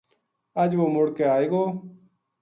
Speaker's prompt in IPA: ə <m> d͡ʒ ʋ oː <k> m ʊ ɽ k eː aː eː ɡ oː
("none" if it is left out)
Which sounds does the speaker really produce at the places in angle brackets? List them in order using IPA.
none, none

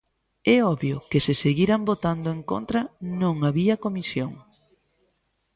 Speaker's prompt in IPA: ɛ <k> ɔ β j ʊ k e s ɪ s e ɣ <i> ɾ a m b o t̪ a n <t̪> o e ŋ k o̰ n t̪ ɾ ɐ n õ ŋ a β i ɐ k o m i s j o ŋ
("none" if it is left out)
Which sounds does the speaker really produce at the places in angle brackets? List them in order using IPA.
none, i, d̪

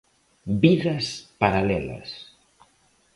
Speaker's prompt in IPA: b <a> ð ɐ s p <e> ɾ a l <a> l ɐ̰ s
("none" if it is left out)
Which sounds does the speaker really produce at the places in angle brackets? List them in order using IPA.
i, a, ɛ

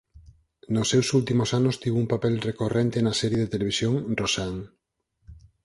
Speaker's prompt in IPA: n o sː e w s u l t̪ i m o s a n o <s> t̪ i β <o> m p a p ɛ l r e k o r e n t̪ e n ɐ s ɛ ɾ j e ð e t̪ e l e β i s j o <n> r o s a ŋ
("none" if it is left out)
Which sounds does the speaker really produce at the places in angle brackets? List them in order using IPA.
s, u, ŋ

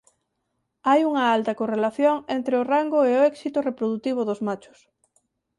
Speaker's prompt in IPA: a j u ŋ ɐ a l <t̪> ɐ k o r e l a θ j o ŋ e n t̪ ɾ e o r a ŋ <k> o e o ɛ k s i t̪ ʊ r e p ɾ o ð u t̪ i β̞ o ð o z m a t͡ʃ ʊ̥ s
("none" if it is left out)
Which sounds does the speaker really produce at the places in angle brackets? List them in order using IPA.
t̪, ɡ

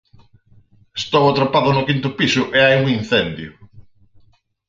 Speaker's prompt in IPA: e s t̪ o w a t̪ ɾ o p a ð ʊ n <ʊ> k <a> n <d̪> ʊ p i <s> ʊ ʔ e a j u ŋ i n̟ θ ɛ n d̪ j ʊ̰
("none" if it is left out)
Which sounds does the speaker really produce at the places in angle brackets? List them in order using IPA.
ʊ, i, t̪, s

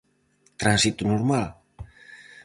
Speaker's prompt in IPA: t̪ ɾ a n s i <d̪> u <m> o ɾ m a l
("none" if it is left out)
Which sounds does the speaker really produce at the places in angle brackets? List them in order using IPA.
t̪, n

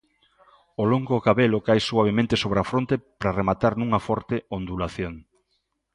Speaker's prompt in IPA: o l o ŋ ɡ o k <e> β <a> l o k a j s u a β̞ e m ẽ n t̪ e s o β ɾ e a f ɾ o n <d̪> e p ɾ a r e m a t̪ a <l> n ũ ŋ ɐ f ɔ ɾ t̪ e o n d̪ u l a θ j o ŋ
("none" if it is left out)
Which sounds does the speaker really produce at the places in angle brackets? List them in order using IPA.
a, e, t̪, ɾ

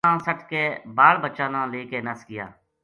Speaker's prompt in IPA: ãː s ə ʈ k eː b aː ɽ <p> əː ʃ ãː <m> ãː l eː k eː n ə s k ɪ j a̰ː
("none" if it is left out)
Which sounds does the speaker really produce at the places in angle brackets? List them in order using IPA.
b, n

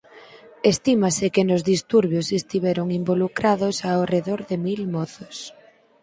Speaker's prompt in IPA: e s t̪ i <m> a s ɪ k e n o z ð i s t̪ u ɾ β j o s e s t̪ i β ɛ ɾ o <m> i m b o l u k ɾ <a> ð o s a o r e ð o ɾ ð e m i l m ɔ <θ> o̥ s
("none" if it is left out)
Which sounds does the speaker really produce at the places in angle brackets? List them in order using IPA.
m, ŋ, a, θ

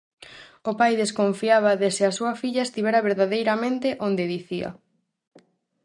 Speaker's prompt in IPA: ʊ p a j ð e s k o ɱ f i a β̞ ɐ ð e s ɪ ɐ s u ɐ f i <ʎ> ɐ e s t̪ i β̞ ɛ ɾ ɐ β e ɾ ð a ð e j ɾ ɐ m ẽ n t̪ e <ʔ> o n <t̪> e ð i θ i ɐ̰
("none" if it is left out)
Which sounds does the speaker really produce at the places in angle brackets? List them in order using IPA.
ʎ, ʔ, d̪

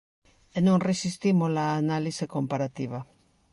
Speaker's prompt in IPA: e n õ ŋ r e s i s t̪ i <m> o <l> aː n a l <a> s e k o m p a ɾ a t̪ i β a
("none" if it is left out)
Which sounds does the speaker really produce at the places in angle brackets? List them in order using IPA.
m, l, i

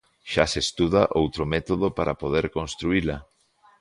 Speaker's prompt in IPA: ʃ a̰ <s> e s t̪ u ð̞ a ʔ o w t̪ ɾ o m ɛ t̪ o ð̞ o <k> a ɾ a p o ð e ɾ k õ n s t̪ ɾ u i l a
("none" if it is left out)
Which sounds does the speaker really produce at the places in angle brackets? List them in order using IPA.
s, p

